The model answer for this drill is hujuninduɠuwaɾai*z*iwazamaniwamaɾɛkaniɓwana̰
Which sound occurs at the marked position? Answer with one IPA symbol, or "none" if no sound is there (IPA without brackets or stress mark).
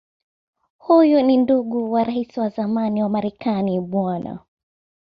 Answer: s